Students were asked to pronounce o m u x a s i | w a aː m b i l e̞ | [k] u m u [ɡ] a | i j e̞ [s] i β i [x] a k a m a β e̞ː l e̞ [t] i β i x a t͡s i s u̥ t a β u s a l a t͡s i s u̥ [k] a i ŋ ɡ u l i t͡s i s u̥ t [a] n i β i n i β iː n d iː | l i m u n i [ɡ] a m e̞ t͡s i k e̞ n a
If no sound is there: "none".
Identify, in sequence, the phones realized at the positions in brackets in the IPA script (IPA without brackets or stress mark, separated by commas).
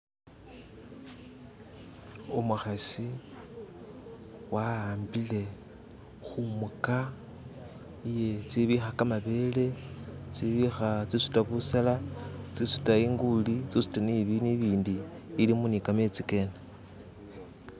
x, k, t͡s, x, t͡s, t, a, k